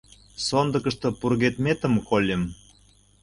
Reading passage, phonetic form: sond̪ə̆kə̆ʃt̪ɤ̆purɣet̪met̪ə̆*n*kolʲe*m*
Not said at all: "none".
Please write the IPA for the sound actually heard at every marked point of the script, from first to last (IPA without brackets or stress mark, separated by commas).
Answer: m, m